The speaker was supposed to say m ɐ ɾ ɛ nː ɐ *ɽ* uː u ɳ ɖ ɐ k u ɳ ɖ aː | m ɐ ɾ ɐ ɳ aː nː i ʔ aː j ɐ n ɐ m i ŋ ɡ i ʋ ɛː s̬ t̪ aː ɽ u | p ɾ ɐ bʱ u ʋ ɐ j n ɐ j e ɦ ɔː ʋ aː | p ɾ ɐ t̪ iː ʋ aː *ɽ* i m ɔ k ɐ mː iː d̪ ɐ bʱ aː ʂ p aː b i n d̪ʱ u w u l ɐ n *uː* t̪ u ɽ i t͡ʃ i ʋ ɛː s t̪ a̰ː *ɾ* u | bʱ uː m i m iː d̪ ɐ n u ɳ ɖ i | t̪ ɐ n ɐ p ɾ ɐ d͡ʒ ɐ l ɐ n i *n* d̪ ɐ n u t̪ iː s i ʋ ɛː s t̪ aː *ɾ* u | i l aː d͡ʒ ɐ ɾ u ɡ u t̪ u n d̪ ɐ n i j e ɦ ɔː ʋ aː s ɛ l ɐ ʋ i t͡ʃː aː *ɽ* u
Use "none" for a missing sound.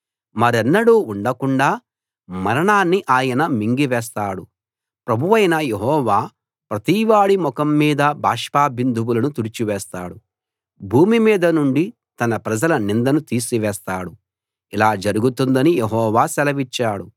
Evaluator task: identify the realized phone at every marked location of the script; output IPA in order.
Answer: ɽ, ɽ, u, ɽ, n, ɽ, ɽ

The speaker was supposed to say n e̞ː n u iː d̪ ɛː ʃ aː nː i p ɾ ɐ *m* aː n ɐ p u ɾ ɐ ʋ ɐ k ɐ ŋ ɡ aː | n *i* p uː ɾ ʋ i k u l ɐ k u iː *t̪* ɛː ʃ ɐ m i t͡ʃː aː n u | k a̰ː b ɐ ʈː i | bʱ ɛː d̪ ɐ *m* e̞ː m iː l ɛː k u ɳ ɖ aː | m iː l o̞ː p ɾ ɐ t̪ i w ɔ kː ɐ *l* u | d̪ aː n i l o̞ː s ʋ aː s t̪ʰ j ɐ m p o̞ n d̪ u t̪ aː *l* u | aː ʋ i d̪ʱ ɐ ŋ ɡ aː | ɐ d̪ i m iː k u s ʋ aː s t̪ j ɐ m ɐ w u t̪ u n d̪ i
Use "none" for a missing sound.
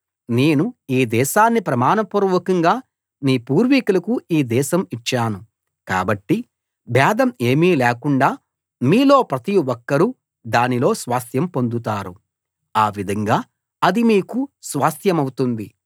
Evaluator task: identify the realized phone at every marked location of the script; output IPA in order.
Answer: m, iː, d̪, m, ɾ, ɾ

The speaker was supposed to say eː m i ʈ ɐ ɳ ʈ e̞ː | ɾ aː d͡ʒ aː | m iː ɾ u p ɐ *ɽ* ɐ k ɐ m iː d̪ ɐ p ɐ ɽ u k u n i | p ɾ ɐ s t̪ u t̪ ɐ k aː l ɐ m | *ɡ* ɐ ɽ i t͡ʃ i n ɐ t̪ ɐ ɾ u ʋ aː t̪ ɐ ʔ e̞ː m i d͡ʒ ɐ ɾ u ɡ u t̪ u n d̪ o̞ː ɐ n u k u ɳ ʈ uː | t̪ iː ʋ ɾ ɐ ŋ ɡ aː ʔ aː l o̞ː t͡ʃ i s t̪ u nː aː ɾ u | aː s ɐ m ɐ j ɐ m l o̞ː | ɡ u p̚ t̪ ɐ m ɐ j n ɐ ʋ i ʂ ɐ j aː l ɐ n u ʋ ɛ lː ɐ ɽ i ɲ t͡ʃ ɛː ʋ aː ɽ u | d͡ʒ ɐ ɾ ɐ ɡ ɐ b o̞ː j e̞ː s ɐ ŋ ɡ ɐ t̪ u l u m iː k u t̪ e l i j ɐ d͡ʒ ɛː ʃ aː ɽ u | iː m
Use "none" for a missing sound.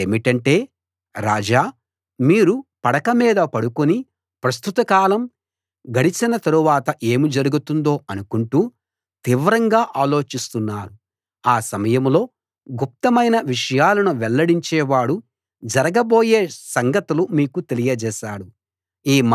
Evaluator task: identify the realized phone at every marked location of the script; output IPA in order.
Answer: ɽ, ɡ

